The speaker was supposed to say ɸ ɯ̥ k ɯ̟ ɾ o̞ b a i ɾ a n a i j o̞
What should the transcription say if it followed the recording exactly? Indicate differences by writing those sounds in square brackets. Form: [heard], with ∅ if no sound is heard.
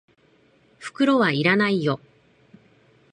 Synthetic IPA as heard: ɸ ɯ̥ k ɯ̟ ɾ o̞ [β] a i ɾ a n a i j o̞